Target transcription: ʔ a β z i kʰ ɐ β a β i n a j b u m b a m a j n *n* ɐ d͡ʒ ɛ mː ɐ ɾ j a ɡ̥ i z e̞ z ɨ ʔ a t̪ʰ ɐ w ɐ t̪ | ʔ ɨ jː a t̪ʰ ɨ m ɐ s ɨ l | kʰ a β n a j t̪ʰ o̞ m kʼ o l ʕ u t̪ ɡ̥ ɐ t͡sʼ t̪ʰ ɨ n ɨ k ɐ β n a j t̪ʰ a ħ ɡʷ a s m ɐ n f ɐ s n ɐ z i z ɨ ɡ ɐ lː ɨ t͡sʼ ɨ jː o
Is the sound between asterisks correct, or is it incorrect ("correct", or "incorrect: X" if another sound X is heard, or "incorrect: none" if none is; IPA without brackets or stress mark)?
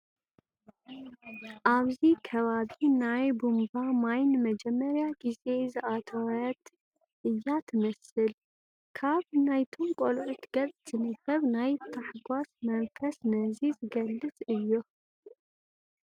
incorrect: m